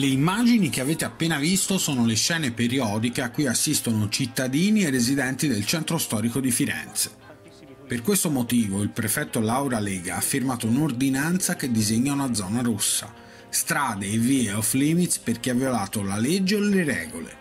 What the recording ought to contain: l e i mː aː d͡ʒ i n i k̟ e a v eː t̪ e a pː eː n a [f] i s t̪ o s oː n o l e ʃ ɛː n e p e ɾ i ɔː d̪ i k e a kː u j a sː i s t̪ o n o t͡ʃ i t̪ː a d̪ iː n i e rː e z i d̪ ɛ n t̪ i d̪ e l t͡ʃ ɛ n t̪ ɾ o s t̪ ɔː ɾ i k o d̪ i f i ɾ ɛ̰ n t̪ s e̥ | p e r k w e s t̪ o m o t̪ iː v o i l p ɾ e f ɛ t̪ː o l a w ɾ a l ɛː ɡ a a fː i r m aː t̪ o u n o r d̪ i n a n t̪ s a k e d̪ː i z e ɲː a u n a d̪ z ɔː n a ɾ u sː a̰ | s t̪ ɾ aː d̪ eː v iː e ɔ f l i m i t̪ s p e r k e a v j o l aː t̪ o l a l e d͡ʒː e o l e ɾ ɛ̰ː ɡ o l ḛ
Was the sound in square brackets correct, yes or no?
no